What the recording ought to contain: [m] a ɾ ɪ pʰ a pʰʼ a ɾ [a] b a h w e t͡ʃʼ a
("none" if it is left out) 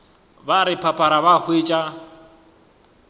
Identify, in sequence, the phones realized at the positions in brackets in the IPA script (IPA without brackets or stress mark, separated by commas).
b, a